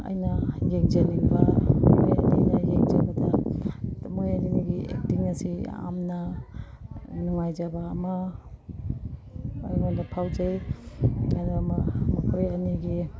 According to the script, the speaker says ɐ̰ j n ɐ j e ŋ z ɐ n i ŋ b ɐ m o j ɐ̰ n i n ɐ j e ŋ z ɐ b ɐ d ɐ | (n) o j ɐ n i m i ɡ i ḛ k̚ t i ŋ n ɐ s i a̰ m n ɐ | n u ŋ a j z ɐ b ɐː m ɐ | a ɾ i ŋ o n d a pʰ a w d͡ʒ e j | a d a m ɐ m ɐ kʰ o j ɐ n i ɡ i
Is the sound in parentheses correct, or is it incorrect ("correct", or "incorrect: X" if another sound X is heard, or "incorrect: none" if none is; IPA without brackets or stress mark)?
incorrect: m